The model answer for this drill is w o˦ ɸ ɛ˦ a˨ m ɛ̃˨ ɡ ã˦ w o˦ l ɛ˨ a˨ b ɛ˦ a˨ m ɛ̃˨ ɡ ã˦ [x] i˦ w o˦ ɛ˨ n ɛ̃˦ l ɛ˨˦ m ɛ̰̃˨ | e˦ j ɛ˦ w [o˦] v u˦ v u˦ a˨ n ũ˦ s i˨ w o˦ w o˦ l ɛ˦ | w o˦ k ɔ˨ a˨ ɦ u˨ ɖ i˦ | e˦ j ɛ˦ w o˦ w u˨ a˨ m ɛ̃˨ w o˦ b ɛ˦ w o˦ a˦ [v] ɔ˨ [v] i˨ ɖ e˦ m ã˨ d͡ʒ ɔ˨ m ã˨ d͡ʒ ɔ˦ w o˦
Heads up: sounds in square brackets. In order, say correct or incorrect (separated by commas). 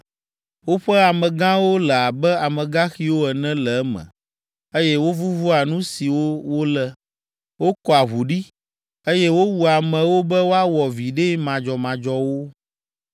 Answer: correct, correct, incorrect, correct